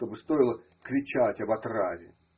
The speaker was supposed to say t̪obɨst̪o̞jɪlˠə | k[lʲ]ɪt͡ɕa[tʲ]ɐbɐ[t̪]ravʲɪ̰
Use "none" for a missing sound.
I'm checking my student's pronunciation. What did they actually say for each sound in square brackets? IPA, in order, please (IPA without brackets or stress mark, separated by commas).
ɾʲ, tʲ, t̪